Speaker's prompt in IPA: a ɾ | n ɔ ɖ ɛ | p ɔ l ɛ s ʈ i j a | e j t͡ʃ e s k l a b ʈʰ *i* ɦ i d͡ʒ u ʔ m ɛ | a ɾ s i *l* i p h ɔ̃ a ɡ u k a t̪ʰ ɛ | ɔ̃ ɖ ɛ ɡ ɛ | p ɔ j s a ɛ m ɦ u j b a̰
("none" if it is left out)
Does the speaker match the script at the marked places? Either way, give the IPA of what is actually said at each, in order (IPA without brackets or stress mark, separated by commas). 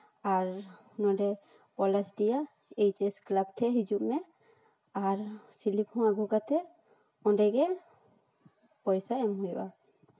ɛ, l